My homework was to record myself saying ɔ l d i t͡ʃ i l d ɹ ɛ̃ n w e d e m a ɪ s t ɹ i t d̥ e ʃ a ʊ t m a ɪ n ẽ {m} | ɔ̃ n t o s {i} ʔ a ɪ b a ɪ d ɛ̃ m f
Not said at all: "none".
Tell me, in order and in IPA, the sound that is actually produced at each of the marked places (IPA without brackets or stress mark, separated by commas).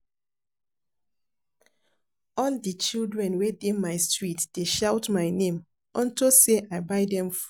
m, e